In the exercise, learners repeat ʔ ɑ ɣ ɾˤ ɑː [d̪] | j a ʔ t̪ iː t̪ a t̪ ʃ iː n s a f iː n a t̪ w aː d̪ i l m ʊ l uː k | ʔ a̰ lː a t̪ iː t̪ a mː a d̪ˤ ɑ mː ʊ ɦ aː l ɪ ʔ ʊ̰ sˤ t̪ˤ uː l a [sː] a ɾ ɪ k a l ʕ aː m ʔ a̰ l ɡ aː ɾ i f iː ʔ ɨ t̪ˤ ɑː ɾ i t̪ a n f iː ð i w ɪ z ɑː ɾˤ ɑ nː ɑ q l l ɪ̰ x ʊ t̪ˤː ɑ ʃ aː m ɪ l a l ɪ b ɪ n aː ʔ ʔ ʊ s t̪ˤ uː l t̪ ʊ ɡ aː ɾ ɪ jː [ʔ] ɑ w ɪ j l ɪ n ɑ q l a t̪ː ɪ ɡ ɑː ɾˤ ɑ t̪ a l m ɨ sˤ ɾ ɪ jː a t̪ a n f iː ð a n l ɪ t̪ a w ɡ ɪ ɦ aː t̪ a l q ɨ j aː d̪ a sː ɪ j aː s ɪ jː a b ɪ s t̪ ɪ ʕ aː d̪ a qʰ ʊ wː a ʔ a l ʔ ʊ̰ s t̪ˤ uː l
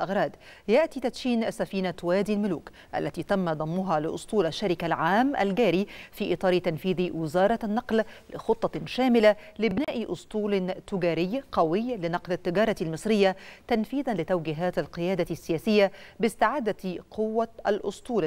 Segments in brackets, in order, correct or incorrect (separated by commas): correct, incorrect, incorrect